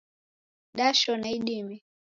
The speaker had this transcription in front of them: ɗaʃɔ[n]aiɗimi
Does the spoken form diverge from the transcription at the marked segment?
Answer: no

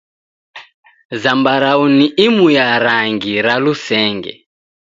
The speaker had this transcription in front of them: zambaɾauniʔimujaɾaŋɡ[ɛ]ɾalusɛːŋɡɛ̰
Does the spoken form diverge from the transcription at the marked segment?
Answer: yes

